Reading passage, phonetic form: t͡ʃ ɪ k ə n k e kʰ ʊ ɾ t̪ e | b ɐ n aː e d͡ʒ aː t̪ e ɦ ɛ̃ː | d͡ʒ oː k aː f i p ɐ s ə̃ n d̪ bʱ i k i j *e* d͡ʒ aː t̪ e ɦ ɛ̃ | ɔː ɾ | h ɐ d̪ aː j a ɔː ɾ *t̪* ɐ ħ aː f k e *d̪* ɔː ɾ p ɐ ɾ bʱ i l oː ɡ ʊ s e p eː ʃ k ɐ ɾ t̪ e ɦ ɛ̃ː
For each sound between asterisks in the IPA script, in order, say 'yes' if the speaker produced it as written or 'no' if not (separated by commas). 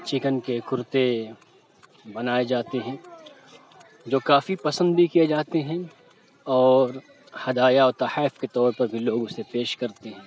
yes, yes, no